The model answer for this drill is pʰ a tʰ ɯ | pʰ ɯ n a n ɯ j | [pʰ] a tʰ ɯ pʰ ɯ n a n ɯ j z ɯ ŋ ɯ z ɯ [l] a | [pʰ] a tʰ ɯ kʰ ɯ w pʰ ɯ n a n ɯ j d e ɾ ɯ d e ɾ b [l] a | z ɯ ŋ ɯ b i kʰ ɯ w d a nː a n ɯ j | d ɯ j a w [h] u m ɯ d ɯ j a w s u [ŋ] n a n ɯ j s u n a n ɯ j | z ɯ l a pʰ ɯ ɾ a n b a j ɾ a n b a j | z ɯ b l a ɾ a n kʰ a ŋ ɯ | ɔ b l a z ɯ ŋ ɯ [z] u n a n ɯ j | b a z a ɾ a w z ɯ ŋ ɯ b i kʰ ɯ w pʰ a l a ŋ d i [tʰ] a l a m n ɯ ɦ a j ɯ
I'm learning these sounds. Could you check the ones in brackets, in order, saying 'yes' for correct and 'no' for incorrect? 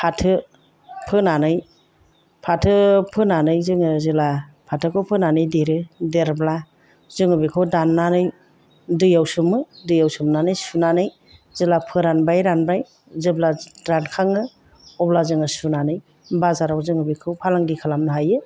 yes, yes, yes, yes, no, no, no, no

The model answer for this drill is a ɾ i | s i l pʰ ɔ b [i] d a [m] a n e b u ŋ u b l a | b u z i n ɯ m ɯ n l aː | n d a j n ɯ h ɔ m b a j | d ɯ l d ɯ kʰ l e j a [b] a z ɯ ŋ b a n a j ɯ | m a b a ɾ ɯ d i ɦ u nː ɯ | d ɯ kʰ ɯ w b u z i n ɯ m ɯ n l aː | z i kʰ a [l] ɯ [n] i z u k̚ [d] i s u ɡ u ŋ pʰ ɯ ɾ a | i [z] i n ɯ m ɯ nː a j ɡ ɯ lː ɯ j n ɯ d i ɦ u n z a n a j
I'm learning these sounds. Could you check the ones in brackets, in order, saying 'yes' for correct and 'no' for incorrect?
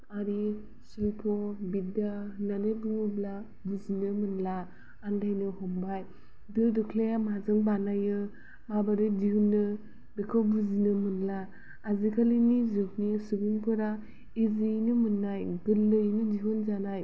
yes, no, no, yes, yes, no, yes

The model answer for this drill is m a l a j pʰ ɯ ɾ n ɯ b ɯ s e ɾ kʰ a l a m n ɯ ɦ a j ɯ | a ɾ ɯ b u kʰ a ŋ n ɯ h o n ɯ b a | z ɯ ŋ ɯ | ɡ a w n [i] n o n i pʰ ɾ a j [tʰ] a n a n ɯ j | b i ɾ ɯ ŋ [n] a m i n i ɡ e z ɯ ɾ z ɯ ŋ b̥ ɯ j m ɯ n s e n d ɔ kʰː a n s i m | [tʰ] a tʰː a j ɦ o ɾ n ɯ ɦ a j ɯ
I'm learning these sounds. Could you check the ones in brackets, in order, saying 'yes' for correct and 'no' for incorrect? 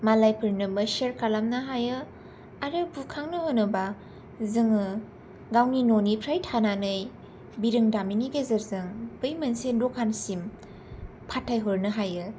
yes, yes, no, no

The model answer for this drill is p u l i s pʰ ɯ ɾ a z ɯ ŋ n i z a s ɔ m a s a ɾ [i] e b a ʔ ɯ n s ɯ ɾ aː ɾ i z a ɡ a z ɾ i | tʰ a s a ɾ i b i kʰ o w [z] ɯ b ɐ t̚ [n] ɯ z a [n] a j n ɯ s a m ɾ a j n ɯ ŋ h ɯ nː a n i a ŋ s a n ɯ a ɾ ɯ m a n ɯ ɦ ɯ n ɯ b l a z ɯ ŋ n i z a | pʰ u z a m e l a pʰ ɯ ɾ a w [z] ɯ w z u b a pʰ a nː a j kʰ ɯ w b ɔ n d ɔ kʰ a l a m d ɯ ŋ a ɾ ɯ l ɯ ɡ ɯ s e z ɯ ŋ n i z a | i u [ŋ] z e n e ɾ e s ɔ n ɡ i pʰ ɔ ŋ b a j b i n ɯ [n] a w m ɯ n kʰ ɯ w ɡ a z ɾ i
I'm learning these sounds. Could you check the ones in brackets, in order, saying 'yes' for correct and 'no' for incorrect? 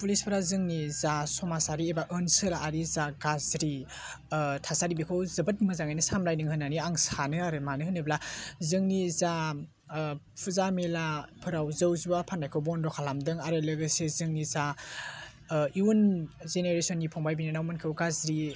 yes, yes, no, no, yes, no, yes

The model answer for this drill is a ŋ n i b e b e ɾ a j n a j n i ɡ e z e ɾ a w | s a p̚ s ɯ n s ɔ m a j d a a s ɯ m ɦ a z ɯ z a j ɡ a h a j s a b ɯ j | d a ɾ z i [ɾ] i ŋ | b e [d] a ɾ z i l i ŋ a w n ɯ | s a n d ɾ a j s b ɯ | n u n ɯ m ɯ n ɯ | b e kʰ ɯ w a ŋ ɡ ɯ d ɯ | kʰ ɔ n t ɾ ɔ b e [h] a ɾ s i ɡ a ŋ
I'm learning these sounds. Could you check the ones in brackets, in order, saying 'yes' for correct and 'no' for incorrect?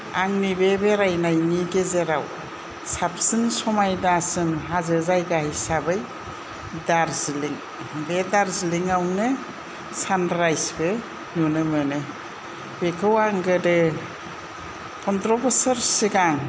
no, yes, no

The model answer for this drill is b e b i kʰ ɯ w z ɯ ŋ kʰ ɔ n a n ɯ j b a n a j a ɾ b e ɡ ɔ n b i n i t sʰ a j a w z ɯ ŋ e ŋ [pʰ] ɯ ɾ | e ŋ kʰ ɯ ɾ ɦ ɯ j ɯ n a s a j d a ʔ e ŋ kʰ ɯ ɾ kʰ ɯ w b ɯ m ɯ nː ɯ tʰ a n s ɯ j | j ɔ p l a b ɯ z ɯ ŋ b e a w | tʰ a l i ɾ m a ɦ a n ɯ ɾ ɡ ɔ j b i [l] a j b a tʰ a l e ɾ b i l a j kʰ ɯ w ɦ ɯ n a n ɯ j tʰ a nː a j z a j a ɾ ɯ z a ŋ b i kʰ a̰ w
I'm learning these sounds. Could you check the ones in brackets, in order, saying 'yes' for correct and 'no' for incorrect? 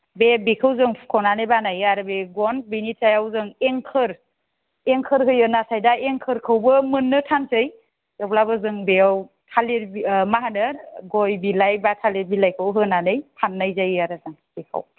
no, yes

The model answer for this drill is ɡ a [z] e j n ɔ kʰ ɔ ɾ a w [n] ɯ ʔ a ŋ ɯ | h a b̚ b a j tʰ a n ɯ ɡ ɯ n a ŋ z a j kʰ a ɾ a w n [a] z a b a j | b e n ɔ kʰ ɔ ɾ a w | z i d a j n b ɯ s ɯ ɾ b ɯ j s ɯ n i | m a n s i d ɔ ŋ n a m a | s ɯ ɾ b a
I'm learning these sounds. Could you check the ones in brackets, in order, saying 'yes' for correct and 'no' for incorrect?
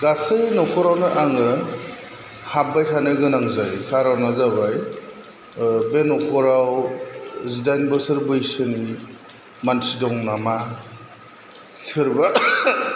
no, yes, yes

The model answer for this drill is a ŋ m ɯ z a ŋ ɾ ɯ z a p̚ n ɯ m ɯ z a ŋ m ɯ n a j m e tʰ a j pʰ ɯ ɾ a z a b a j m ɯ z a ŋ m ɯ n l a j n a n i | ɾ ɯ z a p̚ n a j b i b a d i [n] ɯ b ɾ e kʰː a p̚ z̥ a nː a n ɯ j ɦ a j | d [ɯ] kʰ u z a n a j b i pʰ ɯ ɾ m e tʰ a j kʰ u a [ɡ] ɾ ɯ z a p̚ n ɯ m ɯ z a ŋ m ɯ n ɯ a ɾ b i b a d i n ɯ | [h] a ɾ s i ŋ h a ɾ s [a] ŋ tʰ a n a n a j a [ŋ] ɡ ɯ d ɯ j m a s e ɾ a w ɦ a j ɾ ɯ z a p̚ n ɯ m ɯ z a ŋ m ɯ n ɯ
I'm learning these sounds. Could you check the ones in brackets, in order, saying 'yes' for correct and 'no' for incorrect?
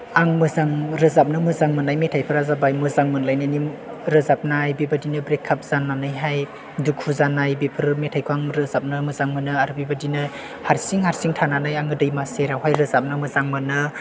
yes, no, no, yes, no, yes

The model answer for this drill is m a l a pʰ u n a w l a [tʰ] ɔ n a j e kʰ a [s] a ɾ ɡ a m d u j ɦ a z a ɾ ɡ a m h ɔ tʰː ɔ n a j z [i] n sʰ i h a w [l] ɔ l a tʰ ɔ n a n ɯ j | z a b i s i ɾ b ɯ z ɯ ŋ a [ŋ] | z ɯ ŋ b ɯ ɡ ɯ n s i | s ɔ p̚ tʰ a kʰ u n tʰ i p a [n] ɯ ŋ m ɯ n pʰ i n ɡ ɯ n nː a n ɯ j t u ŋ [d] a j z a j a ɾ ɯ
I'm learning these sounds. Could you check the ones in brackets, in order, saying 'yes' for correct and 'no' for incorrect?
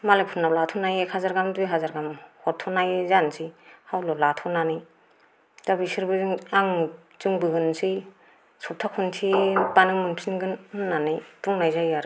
yes, no, no, yes, yes, yes, no

